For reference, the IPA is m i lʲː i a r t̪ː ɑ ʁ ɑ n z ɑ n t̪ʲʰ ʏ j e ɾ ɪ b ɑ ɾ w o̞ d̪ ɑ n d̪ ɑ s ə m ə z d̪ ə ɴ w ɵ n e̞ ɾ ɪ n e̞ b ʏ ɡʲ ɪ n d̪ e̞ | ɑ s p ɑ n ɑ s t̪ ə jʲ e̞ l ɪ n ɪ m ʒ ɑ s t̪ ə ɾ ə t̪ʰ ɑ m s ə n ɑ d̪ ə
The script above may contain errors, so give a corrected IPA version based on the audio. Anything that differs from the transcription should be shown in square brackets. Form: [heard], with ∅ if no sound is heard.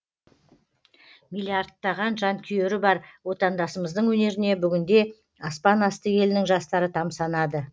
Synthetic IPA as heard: m i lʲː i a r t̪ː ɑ ʁ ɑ n [ʒ] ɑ n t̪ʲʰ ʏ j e ɾ ɪ b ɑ ɾ w o̞ [t̪] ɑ n d̪ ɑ s ə m ə z d̪ ə ɴ w ɵ n e̞ ɾ ɪ n e̞ b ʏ ɡʲ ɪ n d̪ e̞ | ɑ s p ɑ n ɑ s t̪ ə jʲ e̞ l ɪ n ɪ [ŋ] ʒ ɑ s t̪ [ɑ] ɾ ə t̪ʰ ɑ m s [ɑ] n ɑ d̪ ə

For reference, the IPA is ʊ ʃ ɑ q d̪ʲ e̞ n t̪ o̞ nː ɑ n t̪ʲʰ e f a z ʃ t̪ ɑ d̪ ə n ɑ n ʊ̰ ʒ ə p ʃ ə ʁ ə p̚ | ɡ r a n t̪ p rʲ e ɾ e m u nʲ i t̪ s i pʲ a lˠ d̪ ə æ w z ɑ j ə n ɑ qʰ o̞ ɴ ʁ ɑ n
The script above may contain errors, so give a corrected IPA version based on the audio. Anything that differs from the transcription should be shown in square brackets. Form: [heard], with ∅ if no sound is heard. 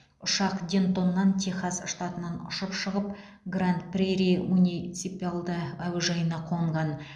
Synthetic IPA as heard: ʊ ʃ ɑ q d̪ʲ e̞ n t̪ o̞ nː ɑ n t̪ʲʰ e [χ] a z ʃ t̪ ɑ [t̪] ə n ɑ n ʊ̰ [ʃ] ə p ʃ ə ʁ ə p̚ | ɡ r a n t̪ p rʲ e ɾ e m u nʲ i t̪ s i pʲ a lˠ d̪ ə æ w [ʒ] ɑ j ə n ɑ qʰ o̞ ɴ ʁ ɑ n

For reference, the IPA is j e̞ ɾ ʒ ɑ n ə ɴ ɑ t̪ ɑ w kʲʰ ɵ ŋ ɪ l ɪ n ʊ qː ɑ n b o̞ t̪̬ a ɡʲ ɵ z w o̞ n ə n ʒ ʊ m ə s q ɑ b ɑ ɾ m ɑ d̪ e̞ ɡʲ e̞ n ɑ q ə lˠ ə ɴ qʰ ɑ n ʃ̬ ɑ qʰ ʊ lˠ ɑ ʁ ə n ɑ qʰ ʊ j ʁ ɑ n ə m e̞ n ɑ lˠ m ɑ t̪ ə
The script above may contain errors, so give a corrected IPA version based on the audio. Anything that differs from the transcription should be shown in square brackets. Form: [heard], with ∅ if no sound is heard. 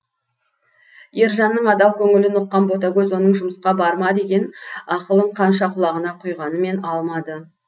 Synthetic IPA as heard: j e̞ ɾ ʒ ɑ [nː] ə ɴ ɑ [d̪] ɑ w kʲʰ ɵ ŋ ɪ l ɪ n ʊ qː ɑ n b o̞ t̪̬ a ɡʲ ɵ z w o̞ n ə [ɴ] ʒ ʊ m ə s q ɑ b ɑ ɾ m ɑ d̪ e̞ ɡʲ e̞ n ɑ q ə lˠ ə ɴ qʰ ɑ n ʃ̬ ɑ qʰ ʊ lˠ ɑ ʁ ə n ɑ qʰ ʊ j ʁ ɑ n ə m e̞ n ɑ lˠ m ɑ [d̪] ə

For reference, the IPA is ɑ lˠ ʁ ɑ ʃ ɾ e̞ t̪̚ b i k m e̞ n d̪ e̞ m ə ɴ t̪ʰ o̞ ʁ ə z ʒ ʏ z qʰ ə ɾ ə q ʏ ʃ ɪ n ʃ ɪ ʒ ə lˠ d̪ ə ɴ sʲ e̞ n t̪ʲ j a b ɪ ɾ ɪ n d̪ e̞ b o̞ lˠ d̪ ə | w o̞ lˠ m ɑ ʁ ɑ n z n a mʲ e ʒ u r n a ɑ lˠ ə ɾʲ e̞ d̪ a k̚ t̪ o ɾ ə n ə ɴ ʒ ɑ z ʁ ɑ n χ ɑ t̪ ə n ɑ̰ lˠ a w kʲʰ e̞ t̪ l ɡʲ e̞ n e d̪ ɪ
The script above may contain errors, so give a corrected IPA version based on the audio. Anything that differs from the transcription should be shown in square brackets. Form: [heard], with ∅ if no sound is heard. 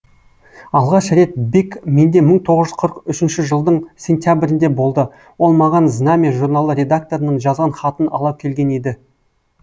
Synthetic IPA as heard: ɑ lˠ ʁ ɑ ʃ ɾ e̞ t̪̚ b i k m e̞ n d̪ e̞ m ə ɴ t̪ʰ o̞ ʁ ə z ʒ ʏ z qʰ ə ɾ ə q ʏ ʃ ɪ n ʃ ɪ ʒ ə lˠ d̪ ə ɴ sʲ e̞ n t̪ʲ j a b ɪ ɾ ɪ n d̪ e̞ b o̞ lˠ d̪ ə | w o̞ lˠ m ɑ ʁ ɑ n z n a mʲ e ʒ u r n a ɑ lˠ ə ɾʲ e̞ d̪ a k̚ t̪ o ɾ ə n ə ɴ ʒ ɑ z ʁ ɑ n χ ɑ t̪ ə n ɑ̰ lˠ [ɑ] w kʲʰ e̞ [∅] l ɡʲ e̞ n e d̪ ɪ

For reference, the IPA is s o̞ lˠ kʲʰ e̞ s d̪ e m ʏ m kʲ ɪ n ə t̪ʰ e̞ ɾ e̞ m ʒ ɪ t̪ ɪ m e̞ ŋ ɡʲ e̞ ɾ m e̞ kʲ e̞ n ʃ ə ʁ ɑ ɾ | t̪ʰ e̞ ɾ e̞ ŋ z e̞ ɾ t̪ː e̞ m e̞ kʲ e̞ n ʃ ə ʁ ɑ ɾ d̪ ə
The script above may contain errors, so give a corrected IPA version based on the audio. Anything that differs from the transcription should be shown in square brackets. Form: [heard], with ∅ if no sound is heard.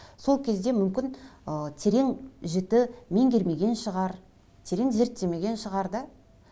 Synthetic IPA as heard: s o̞ lˠ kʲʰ e̞ [z] d̪ e m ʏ m kʲ ɪ n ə t̪ʰ e̞ ɾ e̞ [ŋ] ʒ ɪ t̪ ɪ m e̞ ŋ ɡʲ e̞ ɾ m e̞ [ɡʲ] e̞ n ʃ ə ʁ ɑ ɾ | t̪ʰ e̞ ɾ e̞ ŋ z e̞ ɾ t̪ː e̞ m e̞ [ɡʲ] e̞ n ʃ ə ʁ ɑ ɾ d̪ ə

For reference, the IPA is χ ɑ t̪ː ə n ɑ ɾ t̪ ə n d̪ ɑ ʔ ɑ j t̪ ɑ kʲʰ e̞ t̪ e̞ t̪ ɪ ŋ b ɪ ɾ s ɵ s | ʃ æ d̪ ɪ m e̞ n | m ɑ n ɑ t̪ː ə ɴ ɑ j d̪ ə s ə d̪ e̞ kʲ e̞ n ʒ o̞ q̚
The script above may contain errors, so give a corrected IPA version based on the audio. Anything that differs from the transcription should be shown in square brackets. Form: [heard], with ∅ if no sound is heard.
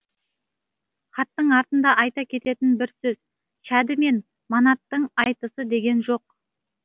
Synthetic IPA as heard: χ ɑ t̪ː ə [ɴ] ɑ ɾ t̪ ə n d̪ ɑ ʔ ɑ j t̪ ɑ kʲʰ e̞ t̪ e̞ t̪ ɪ [n] b ɪ ɾ s ɵ [z] | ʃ æ d̪ ɪ m e̞ n | m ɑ n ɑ t̪ː ə ɴ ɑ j [t̪] ə s ə d̪ e̞ [ɡʲ] e̞ n ʒ o̞ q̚

